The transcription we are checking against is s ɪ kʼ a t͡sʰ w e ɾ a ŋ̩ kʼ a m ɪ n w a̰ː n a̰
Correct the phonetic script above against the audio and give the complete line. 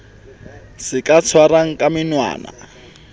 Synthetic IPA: s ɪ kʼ a t͡sʰ w a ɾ a ŋ̩ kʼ a m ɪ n w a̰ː n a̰